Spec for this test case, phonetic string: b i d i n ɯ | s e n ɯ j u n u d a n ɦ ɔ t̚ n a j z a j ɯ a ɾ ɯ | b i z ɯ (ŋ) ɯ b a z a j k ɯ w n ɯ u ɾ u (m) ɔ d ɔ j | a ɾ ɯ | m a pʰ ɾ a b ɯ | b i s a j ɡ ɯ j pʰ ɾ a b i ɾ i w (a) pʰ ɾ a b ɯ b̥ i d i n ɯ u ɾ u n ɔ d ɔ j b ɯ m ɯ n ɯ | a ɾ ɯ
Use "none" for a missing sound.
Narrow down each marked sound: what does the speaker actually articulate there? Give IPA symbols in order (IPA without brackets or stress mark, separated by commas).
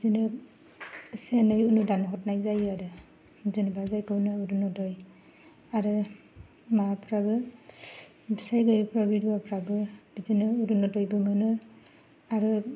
n, n, a